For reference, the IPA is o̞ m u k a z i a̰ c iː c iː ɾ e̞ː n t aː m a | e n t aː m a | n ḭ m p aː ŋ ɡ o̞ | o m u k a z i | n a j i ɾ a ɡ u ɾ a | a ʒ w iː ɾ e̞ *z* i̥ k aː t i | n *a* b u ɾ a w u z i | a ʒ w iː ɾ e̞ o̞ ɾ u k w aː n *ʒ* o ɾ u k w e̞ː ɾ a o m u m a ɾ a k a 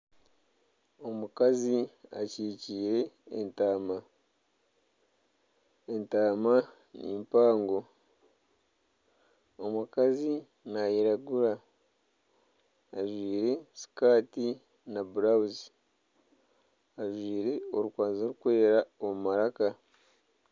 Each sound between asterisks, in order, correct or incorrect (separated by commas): incorrect, correct, incorrect